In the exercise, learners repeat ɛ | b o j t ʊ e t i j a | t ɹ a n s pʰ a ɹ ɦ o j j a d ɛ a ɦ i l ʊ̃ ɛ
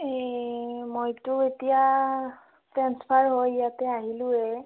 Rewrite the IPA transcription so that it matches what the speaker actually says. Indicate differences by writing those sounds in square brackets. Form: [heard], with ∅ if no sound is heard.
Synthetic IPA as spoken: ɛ | [m] o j t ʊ e t i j a | t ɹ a n s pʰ a ɹ ɦ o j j a [t] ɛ a ɦ i l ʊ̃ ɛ